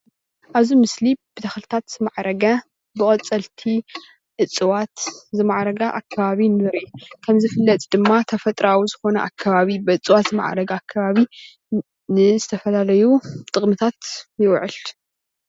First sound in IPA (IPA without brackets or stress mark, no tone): ʔ